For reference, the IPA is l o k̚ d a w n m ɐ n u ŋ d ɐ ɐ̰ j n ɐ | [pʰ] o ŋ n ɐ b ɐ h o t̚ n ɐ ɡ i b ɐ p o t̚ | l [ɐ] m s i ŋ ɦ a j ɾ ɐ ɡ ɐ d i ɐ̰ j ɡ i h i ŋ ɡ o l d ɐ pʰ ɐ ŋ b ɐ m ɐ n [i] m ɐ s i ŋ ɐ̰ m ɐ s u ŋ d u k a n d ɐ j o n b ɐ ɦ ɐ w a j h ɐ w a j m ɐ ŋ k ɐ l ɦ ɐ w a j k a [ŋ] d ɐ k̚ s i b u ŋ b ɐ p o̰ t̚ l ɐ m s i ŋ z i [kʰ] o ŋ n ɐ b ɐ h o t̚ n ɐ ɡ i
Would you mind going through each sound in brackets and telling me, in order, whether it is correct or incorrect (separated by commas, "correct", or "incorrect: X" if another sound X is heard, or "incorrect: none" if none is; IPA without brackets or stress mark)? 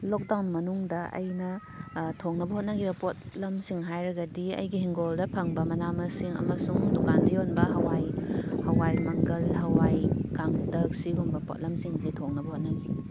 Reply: incorrect: tʰ, correct, incorrect: a, correct, incorrect: tʰ